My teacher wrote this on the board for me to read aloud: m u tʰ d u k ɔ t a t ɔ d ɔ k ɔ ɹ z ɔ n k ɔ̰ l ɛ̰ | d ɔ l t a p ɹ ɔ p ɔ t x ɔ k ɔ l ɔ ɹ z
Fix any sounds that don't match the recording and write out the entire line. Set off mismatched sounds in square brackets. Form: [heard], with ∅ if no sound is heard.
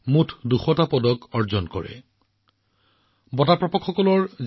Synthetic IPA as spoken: m u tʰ d u [x] ɔ t a [p] ɔ d ɔ k ɔ ɹ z ɔ n k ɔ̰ [ɹ] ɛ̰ | [b] ɔ [∅] t a p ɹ ɔ p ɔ [k] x ɔ k ɔ l ɔ ɹ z